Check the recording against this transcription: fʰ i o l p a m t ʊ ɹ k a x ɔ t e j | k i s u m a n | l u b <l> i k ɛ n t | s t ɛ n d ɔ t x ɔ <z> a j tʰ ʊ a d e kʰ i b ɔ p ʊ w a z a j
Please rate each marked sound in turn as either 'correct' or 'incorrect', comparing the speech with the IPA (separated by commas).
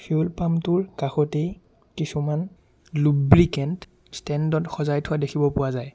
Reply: incorrect, correct